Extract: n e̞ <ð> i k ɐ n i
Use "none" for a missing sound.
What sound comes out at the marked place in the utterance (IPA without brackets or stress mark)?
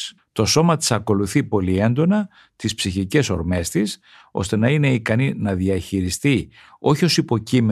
none